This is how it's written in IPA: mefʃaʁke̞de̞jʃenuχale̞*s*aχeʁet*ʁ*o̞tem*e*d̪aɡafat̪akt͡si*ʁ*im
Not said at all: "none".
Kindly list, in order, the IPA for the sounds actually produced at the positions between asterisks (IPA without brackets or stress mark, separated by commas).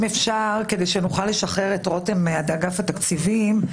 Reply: ʃ, ʁ, a, v